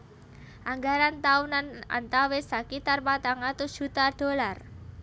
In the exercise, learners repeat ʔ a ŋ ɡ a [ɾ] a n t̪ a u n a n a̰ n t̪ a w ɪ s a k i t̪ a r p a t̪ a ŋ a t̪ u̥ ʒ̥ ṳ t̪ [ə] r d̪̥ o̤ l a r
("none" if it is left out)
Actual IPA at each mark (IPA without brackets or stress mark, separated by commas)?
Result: ɾ, a